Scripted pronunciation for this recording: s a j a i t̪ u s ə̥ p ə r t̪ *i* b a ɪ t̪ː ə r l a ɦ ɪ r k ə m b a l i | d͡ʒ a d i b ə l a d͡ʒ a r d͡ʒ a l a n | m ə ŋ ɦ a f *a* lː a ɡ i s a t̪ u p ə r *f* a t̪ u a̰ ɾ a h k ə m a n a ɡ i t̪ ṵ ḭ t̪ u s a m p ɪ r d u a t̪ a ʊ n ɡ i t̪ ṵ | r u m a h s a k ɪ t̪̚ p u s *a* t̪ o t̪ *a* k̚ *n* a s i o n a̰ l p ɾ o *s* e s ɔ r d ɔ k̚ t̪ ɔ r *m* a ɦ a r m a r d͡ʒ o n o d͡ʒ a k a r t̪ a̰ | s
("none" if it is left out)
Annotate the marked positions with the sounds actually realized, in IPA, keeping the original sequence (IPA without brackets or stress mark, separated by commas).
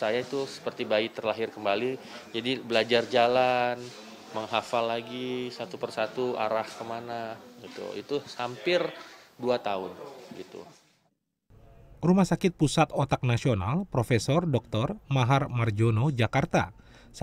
i, a, s, a, a, n, f, m